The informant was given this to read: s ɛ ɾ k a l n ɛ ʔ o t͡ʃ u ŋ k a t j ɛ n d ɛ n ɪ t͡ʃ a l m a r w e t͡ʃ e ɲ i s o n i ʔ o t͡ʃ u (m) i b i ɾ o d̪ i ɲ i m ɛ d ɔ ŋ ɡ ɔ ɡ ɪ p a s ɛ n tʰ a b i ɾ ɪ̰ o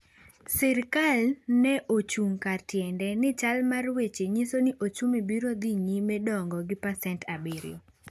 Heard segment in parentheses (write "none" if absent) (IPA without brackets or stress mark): m